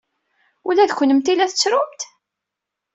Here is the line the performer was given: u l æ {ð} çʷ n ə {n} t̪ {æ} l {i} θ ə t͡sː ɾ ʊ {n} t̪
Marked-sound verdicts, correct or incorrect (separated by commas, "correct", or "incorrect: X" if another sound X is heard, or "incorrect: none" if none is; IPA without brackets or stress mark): correct, incorrect: m, incorrect: i, incorrect: æ, incorrect: m